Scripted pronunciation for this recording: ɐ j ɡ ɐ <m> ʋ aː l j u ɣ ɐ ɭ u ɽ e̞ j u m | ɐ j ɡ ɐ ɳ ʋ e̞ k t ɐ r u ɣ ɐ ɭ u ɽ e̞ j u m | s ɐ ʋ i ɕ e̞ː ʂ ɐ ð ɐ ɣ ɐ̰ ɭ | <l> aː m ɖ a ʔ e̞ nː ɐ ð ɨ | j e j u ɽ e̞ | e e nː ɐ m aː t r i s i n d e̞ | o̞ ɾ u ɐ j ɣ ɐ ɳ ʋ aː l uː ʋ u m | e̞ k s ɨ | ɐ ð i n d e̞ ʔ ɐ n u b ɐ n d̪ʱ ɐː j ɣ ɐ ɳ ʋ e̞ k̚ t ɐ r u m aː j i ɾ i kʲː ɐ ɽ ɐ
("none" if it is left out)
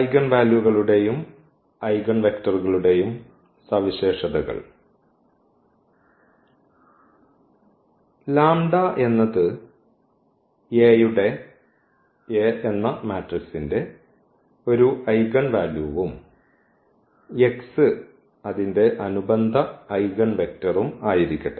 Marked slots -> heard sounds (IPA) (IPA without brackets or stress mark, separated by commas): ɳ, l